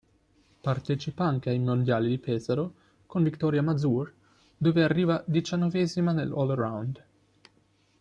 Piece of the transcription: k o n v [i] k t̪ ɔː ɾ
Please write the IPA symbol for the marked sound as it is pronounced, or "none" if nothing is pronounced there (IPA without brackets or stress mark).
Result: i